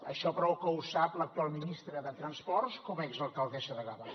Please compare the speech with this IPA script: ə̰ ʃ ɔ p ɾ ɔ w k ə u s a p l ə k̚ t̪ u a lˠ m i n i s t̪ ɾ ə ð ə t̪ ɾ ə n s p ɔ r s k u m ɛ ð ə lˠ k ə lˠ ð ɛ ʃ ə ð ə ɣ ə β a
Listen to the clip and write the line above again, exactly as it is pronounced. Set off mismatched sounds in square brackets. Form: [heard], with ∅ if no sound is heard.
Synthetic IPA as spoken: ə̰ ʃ ɔ p ɾ ɔ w k ə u s a p l ə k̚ t̪ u a lˠ m i n i s t̪ ɾ ə ð ə t̪ ɾ ə n s p ɔ r s k [ɔ] m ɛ [z] ə lˠ k ə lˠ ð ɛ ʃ ə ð ə ɣ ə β a